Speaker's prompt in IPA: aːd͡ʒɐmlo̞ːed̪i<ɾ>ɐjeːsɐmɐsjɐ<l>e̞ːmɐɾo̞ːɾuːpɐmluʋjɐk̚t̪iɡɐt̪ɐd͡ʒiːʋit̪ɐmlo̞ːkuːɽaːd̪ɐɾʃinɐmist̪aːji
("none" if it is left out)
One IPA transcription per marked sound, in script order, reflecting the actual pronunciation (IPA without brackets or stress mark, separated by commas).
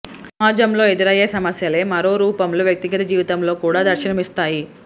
ɾ, l